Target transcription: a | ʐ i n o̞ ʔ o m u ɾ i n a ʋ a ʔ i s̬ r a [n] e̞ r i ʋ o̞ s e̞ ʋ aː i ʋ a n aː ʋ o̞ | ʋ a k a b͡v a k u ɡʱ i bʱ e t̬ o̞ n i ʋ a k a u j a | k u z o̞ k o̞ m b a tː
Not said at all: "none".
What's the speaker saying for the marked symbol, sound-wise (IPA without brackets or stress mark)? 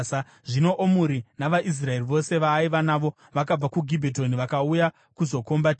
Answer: none